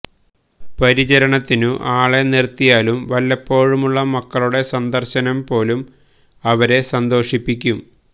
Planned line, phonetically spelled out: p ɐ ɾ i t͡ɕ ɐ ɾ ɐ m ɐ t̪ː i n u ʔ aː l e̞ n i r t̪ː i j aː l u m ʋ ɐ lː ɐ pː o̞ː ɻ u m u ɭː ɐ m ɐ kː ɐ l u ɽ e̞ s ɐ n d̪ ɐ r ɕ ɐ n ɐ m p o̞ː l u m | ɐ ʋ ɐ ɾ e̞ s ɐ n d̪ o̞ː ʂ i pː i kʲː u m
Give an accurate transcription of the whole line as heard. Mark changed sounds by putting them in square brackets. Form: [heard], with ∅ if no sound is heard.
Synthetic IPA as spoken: p ɐ ɾ i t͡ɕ ɐ ɾ ɐ [ɳ] ɐ t̪ː i n u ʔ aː [ɭ] e̞ n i r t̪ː i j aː l u m ʋ ɐ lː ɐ pː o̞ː ɻ u m u ɭː ɐ m ɐ kː ɐ [ɭ] u ɽ e̞ s ɐ n d̪ ɐ r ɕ ɐ n ɐ m p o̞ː l u m | ɐ ʋ ɐ ɾ e̞ s ɐ n d̪ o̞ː ʂ i pː i kʲː u m

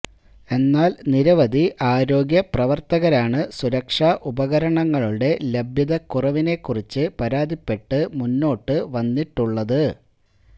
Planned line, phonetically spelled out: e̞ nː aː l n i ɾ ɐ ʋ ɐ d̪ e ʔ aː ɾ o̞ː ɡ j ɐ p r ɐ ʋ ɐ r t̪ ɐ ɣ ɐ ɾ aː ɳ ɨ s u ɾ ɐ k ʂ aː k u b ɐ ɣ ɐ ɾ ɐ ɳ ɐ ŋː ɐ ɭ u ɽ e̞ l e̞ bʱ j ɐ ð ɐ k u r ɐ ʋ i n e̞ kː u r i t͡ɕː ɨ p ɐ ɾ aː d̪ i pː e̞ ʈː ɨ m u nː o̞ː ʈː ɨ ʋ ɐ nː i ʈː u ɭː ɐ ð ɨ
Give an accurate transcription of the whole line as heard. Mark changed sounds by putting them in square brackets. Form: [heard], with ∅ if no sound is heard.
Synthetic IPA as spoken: e̞ nː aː l n i ɾ ɐ ʋ ɐ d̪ [i] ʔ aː ɾ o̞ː ɡ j ɐ p r ɐ ʋ ɐ r t̪ ɐ ɣ ɐ ɾ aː ɳ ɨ s u ɾ ɐ k ʂ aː [ʔ] u b ɐ ɣ ɐ ɾ ɐ ɳ ɐ ŋː ɐ ɭ u ɽ e̞ l e̞ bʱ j ɐ ð ɐ k u r ɐ ʋ i n e̞ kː u r i t͡ɕː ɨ p ɐ ɾ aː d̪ i pː e̞ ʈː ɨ m u nː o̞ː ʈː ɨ ʋ ɐ nː i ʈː u ɭː ɐ ð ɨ

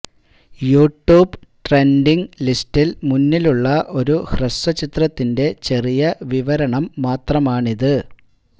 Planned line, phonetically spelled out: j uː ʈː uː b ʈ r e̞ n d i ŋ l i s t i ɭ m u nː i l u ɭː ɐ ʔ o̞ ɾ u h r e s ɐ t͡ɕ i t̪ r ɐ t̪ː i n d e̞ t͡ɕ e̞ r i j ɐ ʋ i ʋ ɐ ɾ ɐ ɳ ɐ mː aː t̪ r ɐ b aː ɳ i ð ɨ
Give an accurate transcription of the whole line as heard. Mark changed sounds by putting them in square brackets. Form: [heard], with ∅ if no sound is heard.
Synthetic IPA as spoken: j uː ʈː uː b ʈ r e̞ n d i ŋ l i s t i [l] m u nː i l u ɭː ɐ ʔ o̞ ɾ u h r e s ɐ t͡ɕ i t̪ r ɐ t̪ː i n d e̞ t͡ɕ e̞ r i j ɐ ʋ i ʋ ɐ ɾ ɐ ɳ ɐ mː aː t̪ r ɐ [m] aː ɳ i ð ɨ

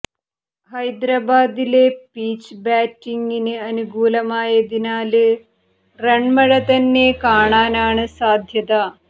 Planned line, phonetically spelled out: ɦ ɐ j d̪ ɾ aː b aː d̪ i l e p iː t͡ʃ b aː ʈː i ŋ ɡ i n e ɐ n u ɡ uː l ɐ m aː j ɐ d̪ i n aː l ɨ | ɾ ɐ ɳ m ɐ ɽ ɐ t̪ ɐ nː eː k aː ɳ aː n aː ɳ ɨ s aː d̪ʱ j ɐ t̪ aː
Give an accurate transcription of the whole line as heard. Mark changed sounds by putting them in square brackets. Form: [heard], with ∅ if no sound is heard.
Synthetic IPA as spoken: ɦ ɐ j d̪ ɾ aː b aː d̪ i l e p iː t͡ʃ b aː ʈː i ŋ ɡ i n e ɐ n u ɡ uː l ɐ m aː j ɐ d̪ i n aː l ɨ | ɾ ɐ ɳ m ɐ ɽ ɐ t̪ ɐ nː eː k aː ɳ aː n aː ɳ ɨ s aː d̪ʱ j ɐ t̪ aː

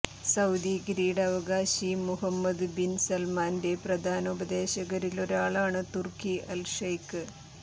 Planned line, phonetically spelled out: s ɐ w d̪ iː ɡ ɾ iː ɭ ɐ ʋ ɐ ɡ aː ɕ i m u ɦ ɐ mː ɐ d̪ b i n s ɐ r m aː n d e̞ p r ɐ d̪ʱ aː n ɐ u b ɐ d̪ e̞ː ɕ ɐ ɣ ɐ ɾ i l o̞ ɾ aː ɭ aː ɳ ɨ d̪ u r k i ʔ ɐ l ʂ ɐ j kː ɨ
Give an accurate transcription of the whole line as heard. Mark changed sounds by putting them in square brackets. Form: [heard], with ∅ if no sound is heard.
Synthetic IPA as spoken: s ɐ w d̪ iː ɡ ɾ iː [ɽ] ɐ ʋ ɐ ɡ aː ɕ i m u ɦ ɐ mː ɐ d̪ b i n s ɐ [l] m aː n d e̞ p r ɐ d̪ʱ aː n ɐ u b ɐ d̪ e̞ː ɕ ɐ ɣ ɐ ɾ i l o̞ ɾ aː ɭ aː ɳ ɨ [t̪] u r k i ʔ ɐ l ʂ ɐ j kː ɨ

